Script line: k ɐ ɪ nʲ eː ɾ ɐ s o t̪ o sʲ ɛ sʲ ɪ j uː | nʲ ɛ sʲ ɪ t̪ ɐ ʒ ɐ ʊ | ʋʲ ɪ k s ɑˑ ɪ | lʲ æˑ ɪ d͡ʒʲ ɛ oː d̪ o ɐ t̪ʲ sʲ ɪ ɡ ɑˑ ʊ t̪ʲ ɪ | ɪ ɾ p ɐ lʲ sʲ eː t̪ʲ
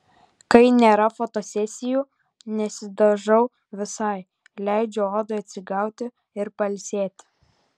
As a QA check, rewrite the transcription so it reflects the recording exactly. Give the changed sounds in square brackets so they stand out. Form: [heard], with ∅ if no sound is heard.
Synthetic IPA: k ɐ ɪ nʲ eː ɾ ɐ [f] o t̪ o sʲ ɛ sʲ ɪ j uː | nʲ ɛ sʲ ɪ [d̪] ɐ ʒ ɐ ʊ | ʋʲ ɪ [∅] s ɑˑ ɪ | lʲ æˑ ɪ d͡ʒʲ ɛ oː d̪ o ɐ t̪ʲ sʲ ɪ ɡ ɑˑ ʊ t̪ʲ ɪ | ɪ ɾ p ɐ lʲ sʲ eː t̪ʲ

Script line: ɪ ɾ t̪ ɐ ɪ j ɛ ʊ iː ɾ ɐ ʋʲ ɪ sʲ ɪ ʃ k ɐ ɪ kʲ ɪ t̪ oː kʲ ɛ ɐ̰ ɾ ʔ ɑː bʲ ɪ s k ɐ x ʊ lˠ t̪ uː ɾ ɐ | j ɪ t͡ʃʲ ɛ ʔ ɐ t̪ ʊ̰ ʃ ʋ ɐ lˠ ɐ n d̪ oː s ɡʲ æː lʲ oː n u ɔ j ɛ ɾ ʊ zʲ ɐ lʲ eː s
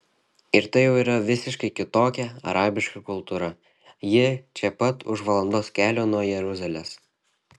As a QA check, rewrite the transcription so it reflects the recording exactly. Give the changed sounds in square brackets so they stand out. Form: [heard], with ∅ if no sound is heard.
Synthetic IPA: ɪ ɾ t̪ ɐ ɪ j ɛ ʊ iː ɾ ɐ ʋʲ ɪ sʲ ɪ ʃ k ɐ ɪ kʲ ɪ t̪ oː kʲ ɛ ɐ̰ ɾ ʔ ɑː bʲ ɪ [ʃ] k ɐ [k] ʊ lˠ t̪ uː ɾ ɐ | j ɪ t͡ʃʲ ɛ [p] ɐ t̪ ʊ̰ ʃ ʋ ɐ lˠ ɐ n d̪ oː s [kʲ] æː lʲ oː n u ɔ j ɛ ɾ ʊ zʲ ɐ lʲ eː s

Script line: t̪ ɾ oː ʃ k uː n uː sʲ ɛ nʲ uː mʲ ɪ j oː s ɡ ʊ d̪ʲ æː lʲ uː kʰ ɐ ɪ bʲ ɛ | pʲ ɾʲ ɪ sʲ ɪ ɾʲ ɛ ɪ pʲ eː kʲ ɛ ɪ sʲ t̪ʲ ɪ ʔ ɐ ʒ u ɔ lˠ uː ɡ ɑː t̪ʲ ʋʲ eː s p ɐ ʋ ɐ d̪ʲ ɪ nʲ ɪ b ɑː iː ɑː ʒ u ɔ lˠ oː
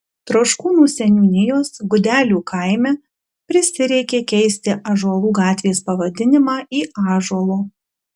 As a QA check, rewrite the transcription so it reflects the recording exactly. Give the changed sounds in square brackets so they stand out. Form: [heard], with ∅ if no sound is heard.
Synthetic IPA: t̪ ɾ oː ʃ k uː n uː sʲ ɛ nʲ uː [nʲ] ɪ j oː s ɡ ʊ d̪ʲ æː lʲ uː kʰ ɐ ɪ [mʲ] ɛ | pʲ ɾʲ ɪ sʲ ɪ ɾʲ ɛ ɪ [kʲ] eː kʲ ɛ ɪ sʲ t̪ʲ ɪ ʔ ɐ ʒ u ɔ lˠ uː ɡ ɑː t̪ʲ ʋʲ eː s p ɐ ʋ ɐ d̪ʲ ɪ nʲ ɪ [m] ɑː iː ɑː ʒ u ɔ lˠ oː

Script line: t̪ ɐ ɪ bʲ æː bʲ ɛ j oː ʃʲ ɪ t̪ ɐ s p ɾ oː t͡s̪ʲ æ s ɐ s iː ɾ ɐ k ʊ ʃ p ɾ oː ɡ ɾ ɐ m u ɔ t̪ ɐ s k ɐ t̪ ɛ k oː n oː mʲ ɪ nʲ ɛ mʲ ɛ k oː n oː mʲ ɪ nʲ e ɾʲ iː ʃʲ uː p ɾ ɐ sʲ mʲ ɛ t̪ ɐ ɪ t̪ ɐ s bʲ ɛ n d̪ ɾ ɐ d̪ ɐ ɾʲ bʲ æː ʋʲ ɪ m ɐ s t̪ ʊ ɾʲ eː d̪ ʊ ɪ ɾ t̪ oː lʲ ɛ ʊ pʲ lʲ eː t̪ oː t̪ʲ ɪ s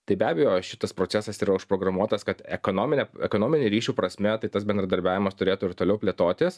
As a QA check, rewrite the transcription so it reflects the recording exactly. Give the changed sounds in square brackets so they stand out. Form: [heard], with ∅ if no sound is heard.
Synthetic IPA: t̪ ɐ ɪ bʲ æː bʲ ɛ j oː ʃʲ ɪ t̪ ɐ s p ɾ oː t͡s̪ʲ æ s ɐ s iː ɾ ɐ [∅] ʊ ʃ p ɾ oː ɡ ɾ ɐ m u ɔ t̪ ɐ s k ɐ t̪ ɛ k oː n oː mʲ ɪ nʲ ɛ [∅] ɛ k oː n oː mʲ ɪ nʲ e ɾʲ iː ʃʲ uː p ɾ ɐ sʲ mʲ ɛ t̪ ɐ ɪ t̪ ɐ s bʲ ɛ n d̪ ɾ ɐ d̪ ɐ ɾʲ bʲ æː ʋʲ ɪ m ɐ s t̪ ʊ ɾʲ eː [t̪] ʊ ɪ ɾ t̪ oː lʲ ɛ ʊ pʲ lʲ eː t̪ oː t̪ʲ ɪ s

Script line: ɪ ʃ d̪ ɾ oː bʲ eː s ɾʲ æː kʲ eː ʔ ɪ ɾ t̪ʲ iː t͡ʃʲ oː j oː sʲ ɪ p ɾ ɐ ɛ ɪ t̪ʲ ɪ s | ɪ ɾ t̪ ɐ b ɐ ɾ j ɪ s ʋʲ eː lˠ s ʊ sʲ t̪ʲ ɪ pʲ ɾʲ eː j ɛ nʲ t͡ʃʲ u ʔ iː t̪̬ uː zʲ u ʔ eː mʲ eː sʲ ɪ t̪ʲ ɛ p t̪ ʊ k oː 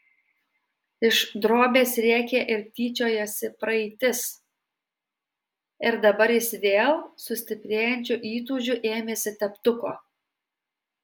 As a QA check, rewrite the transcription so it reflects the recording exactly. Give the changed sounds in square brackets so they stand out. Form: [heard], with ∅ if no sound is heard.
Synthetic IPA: ɪ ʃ d̪ ɾ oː bʲ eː s ɾʲ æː kʲ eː ʔ ɪ ɾ t̪ʲ iː t͡ʃʲ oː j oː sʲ ɪ p ɾ ɐ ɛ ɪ t̪ʲ ɪ s | ɪ ɾ [d̪] ɐ b ɐ ɾ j ɪ s ʋʲ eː lˠ s ʊ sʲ t̪ʲ ɪ pʲ ɾʲ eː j ɛ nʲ t͡ʃʲ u ʔ iː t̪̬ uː [ʒʲ] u ʔ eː mʲ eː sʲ ɪ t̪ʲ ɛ p t̪ ʊ k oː

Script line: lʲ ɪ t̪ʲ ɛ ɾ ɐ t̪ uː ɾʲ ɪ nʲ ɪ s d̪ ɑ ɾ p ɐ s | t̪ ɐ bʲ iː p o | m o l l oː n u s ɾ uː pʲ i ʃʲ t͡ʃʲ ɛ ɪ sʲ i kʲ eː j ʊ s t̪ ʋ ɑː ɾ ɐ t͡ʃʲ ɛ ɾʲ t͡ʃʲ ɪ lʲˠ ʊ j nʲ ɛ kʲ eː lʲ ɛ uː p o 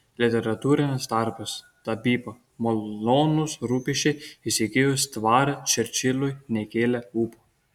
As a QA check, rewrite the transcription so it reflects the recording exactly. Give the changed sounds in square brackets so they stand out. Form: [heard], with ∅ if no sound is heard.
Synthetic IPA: lʲ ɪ t̪ʲ ɛ ɾ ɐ t̪ uː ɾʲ ɪ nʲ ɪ s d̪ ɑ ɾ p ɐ s | t̪ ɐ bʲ iː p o | m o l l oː n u s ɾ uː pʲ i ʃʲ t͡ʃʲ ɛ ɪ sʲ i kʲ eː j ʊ s t̪ ʋ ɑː ɾ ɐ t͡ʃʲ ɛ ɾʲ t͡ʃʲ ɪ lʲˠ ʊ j nʲ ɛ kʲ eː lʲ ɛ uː p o

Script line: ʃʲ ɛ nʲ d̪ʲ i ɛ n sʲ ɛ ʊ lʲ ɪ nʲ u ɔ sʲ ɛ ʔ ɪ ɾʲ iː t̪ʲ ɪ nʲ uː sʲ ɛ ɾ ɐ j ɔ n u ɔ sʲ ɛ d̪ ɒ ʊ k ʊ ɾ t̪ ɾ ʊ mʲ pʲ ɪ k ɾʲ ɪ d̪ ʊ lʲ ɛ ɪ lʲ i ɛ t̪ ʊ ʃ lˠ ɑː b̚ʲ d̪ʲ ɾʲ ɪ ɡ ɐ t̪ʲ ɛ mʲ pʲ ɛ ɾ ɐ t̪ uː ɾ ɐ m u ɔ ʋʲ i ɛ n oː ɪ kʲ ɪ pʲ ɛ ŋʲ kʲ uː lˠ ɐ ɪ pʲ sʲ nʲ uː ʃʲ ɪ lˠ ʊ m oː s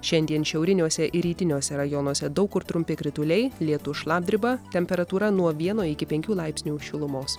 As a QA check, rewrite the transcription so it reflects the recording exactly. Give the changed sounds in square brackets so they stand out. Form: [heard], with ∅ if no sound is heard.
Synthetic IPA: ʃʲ ɛ nʲ d̪ʲ i ɛ n [ʃʲ] ɛ ʊ [ɾʲ] ɪ nʲ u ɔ sʲ ɛ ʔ ɪ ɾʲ iː t̪ʲ ɪ nʲ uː sʲ ɛ ɾ ɐ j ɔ n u ɔ sʲ ɛ d̪ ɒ ʊ k ʊ ɾ t̪ ɾ ʊ mʲ pʲ ɪ k ɾʲ ɪ [t̪] ʊ lʲ ɛ ɪ lʲ i ɛ t̪ ʊ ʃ lˠ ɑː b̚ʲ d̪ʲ ɾʲ ɪ [b] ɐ t̪ʲ ɛ mʲ pʲ ɛ ɾ ɐ t̪ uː ɾ ɐ [n] u ɔ ʋʲ i ɛ n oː ɪ kʲ ɪ pʲ ɛ ŋʲ kʲ uː lˠ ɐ ɪ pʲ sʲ nʲ uː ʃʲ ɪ lˠ ʊ m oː s

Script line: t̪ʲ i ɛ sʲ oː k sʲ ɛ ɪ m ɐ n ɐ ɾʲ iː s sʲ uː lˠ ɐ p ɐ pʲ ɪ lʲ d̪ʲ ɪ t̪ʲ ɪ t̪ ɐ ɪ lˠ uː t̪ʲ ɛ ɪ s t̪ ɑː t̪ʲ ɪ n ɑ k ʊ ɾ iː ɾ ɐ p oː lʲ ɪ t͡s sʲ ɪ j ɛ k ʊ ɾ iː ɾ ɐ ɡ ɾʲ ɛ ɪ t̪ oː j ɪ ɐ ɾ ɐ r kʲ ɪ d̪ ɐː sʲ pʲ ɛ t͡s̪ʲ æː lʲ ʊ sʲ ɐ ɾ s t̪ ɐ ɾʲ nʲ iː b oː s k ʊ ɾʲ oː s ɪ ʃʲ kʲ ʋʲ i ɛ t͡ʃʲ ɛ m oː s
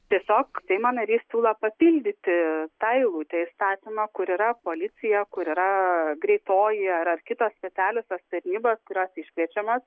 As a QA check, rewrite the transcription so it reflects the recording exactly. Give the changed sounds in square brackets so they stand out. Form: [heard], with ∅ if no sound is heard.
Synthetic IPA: t̪ʲ i ɛ sʲ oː k sʲ ɛ ɪ m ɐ n ɐ ɾʲ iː s sʲ uː lˠ ɐ p ɐ pʲ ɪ lʲ d̪ʲ ɪ t̪ʲ ɪ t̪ ɐ ɪ lˠ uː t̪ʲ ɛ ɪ s t̪ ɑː t̪ʲ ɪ [m] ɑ k ʊ ɾ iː ɾ ɐ p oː lʲ ɪ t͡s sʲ ɪ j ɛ k ʊ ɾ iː ɾ ɐ ɡ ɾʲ ɛ ɪ t̪ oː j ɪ ɐ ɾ ɐ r kʲ ɪ [t̪] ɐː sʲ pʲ ɛ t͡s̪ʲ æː lʲ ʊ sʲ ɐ [∅] s t̪ ɐ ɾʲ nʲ iː b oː s k ʊ ɾʲ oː s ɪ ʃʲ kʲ ʋʲ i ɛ t͡ʃʲ ɛ m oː s

